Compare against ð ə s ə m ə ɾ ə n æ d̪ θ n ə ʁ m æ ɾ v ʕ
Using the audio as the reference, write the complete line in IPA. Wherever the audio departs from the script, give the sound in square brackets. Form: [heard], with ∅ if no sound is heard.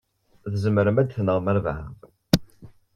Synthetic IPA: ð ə [z] ə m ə ɾ ə [m] æ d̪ θ n ə ʁ m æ ɾ v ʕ

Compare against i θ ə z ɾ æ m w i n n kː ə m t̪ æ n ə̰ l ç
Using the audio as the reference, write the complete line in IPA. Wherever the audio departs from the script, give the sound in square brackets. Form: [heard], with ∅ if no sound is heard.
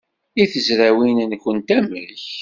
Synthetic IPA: i θ ə z ɾ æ [∅] w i n n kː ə [n] t̪ æ [m] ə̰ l ç

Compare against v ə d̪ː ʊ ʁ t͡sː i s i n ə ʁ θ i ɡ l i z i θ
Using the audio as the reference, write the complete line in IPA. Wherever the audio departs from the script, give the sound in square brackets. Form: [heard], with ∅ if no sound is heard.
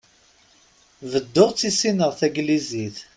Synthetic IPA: v ə d̪ː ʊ ʁ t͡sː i s i n ə ʁ θ [æ] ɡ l i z i θ

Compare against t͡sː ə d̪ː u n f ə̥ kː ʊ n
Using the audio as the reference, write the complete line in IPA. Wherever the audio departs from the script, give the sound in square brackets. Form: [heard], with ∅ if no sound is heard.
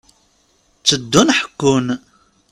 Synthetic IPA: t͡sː ə d̪ː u n [ħ] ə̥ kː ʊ n

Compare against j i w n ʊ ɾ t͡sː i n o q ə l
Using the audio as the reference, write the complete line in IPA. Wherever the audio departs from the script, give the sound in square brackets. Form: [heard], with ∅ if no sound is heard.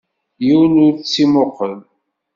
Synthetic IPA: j i w n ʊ ɾ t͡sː i [m] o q ə l

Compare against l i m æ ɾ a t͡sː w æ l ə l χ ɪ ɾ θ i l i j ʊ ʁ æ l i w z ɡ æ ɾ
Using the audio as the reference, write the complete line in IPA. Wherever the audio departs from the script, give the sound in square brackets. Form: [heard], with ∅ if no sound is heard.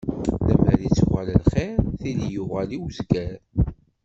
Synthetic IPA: l [æ] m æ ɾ [i] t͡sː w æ l ə l χ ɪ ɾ θ i l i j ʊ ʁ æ l i w z ɡ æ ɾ

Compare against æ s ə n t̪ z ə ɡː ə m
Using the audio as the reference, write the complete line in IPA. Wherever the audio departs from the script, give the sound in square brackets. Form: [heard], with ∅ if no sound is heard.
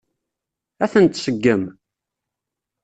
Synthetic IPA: æ [θ] ə n t̪ [s] ə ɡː ə m

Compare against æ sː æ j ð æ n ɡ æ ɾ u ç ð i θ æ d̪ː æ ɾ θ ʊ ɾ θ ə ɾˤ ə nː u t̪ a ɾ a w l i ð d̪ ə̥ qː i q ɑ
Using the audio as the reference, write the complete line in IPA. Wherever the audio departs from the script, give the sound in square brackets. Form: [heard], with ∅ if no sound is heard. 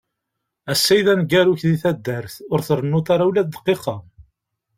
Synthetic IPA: æ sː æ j ð æ n ɡ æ ɾ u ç ð i θ æ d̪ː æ ɾ θ ʊ ɾ θ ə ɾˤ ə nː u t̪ a ɾ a w l [æ] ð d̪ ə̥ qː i q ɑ

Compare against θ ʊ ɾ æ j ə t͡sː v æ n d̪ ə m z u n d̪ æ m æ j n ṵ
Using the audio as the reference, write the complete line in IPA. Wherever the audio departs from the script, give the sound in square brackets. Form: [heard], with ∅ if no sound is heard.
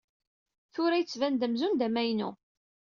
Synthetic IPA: θ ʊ ɾ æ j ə t͡sː v æ n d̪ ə m z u n d̪ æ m æ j n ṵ

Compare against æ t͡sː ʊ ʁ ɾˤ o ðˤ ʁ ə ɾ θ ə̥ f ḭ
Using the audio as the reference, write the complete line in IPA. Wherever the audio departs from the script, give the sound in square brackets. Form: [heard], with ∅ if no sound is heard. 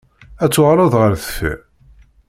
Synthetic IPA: æ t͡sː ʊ ʁ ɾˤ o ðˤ ʁ ə ɾ θ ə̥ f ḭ

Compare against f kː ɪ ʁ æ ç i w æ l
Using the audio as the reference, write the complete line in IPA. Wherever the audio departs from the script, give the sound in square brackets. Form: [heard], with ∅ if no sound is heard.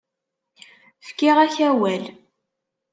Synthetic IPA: f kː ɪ ʁ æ ç [æ] w æ l

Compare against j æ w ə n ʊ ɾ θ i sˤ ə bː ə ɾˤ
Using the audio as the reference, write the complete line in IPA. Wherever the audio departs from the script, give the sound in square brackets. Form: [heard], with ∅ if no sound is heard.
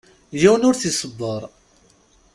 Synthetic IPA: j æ w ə n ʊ ɾ θ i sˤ ə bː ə ɾˤ

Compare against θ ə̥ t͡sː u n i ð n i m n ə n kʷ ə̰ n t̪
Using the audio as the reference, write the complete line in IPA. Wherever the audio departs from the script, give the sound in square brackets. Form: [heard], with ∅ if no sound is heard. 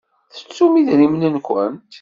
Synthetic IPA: θ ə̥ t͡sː u [m] i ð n i m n ə n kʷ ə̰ n t̪

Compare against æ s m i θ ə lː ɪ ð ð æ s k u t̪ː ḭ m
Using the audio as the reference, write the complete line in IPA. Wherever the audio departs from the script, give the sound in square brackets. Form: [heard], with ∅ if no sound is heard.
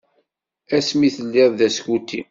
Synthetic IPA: æ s m i θ ə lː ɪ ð ð æ s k u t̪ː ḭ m

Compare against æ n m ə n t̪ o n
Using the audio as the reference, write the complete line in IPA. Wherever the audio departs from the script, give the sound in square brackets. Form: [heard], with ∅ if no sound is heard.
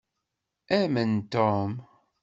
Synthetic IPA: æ [∅] m ə n t̪ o [m]

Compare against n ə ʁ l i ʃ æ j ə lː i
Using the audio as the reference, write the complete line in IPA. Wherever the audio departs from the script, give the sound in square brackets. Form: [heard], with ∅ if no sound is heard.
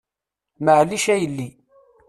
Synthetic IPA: [m] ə [ʕ] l i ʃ æ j ə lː i

